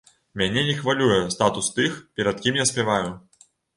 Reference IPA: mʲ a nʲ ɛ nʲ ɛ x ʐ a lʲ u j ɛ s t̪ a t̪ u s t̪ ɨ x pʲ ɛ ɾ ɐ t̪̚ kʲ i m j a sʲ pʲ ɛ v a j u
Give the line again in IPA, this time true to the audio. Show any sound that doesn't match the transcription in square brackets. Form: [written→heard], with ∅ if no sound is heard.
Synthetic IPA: mʲ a nʲ ɛ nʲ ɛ x [ʐ→v] a lʲ u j ɛ s t̪ a t̪ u s t̪ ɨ x pʲ ɛ ɾ ɐ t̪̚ kʲ i m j a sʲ pʲ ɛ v a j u